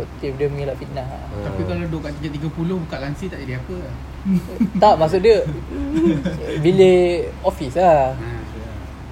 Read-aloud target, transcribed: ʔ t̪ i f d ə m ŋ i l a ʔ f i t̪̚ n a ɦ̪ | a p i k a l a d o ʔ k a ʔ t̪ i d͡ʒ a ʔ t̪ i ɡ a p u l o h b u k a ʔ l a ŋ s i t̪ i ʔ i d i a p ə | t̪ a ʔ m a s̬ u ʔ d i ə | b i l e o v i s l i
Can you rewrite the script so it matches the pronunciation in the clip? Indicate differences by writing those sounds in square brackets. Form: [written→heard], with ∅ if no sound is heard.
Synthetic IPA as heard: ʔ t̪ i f d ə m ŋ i l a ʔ f i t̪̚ n a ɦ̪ | a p i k a l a d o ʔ k a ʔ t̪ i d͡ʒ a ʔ t̪ i ɡ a p u l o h b u k a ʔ l a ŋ s i t̪ [i→a] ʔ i d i a p ə | t̪ a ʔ m a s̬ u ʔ d i ə | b i l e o [v→f] i s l [i→a]